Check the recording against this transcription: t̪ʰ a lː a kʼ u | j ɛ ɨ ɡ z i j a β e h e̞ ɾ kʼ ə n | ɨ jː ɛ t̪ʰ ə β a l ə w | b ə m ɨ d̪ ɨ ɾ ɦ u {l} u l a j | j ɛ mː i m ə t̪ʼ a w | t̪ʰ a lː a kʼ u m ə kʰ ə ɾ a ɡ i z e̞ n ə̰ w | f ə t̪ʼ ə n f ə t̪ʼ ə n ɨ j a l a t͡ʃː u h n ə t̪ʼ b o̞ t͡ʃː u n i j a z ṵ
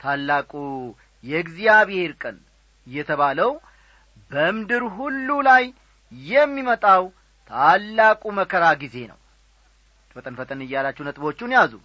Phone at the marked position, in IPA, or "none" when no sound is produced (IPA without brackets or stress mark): lː